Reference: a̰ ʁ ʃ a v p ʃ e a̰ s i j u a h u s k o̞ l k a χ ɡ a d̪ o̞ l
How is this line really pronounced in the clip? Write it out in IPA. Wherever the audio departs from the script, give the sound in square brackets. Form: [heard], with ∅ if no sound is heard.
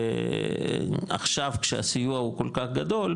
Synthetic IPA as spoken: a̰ [χ] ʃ a v [k] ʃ e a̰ s i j u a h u [∅] k o̞ l k a χ ɡ a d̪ o̞ l